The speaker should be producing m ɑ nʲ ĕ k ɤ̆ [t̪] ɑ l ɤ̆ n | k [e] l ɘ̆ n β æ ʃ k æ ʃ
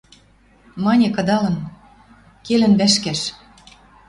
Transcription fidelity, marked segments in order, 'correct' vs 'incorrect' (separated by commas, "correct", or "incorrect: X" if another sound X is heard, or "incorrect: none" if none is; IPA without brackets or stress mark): incorrect: d̪, correct